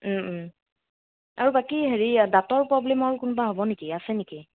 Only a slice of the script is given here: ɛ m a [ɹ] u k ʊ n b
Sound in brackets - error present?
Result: no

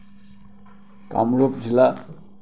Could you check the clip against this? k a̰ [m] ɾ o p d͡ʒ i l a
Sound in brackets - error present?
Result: no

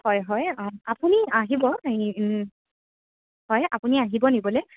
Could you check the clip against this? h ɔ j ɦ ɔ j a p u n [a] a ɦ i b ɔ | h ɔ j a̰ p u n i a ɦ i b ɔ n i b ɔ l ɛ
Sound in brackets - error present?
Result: yes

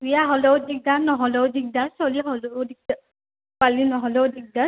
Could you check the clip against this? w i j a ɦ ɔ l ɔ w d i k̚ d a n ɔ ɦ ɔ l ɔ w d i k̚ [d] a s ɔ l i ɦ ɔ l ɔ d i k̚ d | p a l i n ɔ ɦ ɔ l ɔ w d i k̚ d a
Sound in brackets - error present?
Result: no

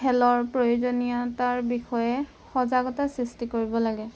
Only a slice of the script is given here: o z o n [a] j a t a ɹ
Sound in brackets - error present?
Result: yes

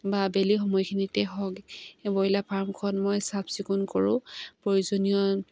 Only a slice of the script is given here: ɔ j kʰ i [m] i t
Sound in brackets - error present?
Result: yes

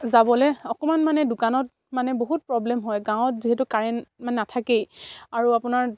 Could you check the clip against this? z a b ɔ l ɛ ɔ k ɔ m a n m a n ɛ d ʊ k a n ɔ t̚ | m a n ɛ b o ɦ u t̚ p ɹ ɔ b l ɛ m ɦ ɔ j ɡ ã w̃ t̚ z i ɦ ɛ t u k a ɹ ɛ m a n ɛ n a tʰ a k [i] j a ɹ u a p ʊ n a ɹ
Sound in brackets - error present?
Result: yes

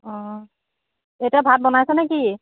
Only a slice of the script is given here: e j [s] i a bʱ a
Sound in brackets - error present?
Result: yes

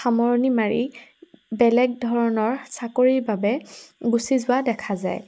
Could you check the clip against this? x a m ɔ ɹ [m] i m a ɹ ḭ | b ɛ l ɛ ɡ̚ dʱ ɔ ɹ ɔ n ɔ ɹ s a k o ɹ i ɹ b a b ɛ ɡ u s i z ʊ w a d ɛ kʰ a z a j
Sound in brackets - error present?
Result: yes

